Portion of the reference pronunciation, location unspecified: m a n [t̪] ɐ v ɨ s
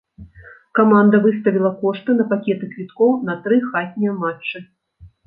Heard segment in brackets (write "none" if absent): d̪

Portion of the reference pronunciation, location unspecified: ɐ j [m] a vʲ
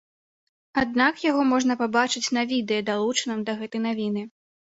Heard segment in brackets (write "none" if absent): n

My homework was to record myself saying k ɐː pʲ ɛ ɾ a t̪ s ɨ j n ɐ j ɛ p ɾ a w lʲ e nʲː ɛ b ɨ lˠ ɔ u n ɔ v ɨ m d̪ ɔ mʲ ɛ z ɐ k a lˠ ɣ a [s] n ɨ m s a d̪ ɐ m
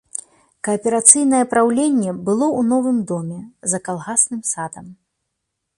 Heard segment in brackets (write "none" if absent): s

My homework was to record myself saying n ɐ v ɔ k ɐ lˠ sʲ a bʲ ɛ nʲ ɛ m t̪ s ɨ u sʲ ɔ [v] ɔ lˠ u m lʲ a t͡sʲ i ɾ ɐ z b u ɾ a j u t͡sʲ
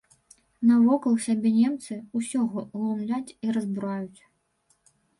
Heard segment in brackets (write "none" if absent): ɣ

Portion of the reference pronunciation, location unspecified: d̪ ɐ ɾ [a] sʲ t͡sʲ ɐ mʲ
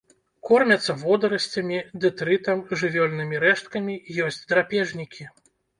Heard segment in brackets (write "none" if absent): ɐ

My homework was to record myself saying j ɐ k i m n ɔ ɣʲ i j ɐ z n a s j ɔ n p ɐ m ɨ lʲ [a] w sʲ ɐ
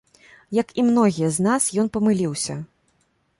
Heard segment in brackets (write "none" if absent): i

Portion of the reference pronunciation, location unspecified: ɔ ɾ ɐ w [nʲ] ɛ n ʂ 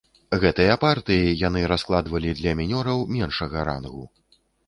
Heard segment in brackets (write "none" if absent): mʲ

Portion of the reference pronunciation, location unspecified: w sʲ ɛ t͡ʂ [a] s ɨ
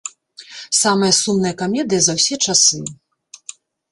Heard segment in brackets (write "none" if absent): a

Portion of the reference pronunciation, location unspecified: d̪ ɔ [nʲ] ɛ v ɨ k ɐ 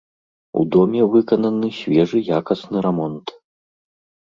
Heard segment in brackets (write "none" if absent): mʲ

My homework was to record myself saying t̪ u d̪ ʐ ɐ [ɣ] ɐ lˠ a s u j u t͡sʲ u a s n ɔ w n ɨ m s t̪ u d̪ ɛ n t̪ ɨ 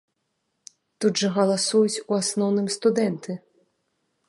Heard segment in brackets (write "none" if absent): ɣ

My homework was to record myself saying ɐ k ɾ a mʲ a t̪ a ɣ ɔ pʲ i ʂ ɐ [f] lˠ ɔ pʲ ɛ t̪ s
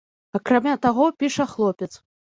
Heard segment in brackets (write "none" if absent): x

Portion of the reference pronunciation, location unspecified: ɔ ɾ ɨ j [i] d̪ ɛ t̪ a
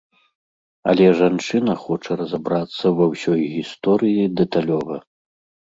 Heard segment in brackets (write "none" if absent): i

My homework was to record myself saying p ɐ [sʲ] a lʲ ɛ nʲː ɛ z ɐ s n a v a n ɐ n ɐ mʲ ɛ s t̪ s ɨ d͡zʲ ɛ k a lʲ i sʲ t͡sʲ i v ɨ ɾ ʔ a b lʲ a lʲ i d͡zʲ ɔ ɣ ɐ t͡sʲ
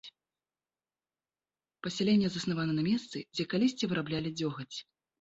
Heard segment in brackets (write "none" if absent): sʲ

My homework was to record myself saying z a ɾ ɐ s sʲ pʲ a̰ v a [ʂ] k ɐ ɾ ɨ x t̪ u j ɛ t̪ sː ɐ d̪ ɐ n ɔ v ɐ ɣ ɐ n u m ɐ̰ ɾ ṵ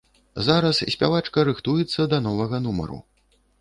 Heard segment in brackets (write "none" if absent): t͡ʂ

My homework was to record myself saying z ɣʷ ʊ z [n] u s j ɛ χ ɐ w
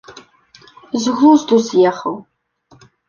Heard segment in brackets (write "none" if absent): d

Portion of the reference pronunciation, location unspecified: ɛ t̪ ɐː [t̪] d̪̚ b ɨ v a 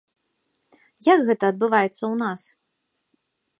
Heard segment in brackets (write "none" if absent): none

